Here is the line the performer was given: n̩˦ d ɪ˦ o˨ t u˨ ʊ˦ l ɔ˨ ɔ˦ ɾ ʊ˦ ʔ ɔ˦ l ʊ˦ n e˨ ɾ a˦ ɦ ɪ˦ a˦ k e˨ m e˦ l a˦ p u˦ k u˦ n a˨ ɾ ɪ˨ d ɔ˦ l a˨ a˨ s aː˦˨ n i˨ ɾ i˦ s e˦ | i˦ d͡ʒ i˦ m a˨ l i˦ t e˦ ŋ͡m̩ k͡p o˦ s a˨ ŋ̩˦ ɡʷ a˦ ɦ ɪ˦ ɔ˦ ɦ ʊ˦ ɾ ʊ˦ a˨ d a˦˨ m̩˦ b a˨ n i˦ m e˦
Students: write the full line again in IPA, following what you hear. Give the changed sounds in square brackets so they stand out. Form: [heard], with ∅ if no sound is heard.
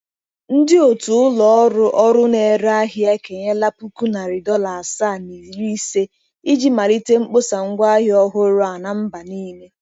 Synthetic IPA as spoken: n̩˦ d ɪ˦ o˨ t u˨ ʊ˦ l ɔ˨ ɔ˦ ɾ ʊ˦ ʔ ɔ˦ [ɾ] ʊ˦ n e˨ ɾ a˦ ɦ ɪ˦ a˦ k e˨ [ɲ] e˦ l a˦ p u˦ k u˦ n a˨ ɾ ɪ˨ d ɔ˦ l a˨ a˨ s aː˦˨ n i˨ ɾ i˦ s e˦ | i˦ d͡ʒ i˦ m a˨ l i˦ t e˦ ŋ͡m̩ k͡p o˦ s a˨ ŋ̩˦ ɡʷ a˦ ɦ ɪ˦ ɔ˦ ɦ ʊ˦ ɾ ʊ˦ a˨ [n] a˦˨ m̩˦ b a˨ n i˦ m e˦